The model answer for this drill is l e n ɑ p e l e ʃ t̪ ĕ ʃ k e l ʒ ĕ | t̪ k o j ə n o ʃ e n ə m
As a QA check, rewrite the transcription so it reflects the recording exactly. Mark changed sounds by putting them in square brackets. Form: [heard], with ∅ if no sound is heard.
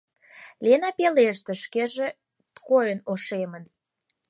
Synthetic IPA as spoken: l e n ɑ p e l e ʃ t̪ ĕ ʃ k e [∅] ʒ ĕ | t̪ k o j ə n o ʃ e [m] ə [n]